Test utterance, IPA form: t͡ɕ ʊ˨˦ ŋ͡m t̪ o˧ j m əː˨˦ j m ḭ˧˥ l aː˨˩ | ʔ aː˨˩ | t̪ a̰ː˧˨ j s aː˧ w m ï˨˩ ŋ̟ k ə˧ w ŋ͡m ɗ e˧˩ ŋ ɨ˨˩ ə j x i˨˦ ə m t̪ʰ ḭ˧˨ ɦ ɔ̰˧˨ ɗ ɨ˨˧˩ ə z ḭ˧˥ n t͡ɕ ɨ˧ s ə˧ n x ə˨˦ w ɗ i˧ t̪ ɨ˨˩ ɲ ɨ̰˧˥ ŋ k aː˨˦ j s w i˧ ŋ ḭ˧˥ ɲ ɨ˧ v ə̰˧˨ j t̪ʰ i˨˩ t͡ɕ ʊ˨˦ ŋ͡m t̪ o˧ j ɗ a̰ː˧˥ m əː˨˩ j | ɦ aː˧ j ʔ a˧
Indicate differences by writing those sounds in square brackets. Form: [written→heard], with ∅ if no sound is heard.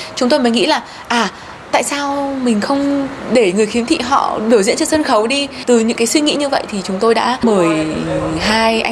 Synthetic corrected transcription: t͡ɕ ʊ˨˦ ŋ͡m t̪ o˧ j m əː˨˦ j [m→ŋ] ḭ˧˥ l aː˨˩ | ʔ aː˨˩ | t̪ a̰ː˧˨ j s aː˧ w m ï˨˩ ŋ̟ [k→x] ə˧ w ŋ͡m ɗ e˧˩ ŋ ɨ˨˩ ə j x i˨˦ ə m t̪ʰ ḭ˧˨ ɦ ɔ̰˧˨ ɗ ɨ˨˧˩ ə z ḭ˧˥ n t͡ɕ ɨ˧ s ə˧ n x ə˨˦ w ɗ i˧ t̪ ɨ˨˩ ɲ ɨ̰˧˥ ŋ k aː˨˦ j s w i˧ ŋ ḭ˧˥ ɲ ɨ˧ v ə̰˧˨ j t̪ʰ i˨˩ t͡ɕ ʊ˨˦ ŋ͡m t̪ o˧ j ɗ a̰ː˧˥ m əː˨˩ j | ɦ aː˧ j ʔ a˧